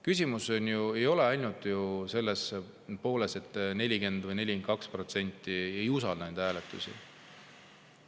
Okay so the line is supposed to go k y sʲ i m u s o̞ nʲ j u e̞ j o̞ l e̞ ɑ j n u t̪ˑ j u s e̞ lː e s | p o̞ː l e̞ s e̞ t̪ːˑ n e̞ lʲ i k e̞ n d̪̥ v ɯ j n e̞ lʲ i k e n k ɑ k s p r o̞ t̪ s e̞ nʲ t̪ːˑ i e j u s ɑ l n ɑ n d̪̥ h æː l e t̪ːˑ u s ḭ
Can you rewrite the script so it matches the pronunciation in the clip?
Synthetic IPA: k y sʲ i m u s o̞ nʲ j u e̞ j o̞ l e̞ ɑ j n u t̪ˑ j u s e̞ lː e s | p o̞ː l e̞ s e̞ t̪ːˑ n e̞ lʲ i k e̞ n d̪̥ v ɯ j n e̞ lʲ i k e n k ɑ k s p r o̞ t̪ s e̞ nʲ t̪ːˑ i e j u s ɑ l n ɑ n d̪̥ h æː l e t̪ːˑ u s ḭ